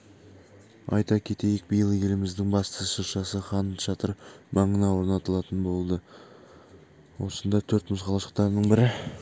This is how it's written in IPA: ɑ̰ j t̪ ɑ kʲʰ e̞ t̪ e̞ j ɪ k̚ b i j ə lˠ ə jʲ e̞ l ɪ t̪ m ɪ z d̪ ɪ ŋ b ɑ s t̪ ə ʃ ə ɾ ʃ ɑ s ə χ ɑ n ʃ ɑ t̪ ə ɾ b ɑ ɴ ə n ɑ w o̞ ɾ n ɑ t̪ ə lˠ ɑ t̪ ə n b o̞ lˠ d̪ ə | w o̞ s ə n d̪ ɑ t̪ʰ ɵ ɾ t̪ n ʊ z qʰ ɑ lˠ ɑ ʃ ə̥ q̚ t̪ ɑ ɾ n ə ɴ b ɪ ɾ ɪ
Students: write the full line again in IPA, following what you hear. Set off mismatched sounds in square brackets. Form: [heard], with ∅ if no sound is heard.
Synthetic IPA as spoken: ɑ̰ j t̪ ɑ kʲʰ e̞ t̪ e̞ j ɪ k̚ b i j ə lˠ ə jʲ e̞ l ɪ [∅] m ɪ z d̪ ɪ ŋ b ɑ s t̪ ə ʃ ə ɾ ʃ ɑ s ə χ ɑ n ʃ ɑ t̪ ə ɾ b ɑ ɴ ə n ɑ w o̞ ɾ n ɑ t̪ ə lˠ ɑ t̪ ə n b o̞ lˠ d̪ ə | w o̞ s ə n d̪ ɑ t̪ʰ ɵ ɾ t̪ [m] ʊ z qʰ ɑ lˠ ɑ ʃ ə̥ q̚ t̪ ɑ ɾ n ə ɴ b ɪ ɾ ɪ